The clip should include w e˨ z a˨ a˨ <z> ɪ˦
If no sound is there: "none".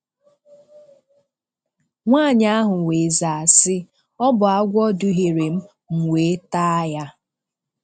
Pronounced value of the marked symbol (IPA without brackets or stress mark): s